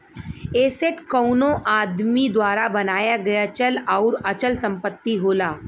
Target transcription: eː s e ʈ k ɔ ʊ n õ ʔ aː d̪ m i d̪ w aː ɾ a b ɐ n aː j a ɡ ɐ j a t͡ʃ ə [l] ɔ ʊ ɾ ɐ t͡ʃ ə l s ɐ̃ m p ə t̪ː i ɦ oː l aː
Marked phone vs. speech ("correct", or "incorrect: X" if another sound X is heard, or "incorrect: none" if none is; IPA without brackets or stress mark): correct